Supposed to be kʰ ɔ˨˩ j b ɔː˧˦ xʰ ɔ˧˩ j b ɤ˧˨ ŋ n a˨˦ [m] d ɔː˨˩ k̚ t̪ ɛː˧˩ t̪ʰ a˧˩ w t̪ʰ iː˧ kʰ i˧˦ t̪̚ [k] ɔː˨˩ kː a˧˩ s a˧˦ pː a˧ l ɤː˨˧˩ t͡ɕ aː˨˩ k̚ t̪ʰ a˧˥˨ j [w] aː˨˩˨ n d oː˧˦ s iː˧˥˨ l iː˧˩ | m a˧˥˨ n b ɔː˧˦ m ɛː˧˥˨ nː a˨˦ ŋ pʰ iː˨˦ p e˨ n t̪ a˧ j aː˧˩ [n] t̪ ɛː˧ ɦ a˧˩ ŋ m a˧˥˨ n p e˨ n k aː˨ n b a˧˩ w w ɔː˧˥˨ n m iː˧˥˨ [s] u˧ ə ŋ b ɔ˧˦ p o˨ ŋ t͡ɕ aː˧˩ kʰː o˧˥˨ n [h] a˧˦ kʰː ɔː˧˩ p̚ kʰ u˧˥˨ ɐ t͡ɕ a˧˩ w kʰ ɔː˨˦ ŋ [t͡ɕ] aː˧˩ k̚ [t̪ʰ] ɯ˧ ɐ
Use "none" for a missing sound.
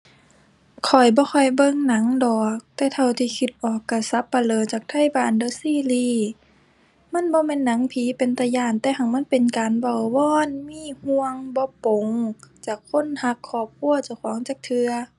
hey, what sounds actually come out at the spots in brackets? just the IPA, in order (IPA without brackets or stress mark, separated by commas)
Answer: ŋ, ʔ, b, n, h, h, t͡ɕ, t̪ʰ